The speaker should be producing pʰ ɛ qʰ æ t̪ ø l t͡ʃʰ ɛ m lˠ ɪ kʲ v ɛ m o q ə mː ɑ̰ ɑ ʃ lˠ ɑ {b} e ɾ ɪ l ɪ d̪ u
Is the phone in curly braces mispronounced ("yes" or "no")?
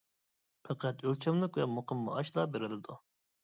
no